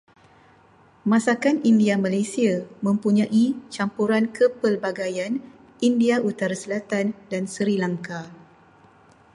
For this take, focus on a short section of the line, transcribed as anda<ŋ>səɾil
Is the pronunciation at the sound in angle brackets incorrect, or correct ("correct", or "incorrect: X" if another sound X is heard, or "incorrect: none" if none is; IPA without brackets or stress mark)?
incorrect: n